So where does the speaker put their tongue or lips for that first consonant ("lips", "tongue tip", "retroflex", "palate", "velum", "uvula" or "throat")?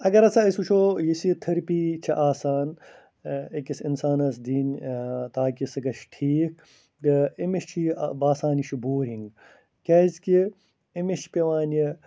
velum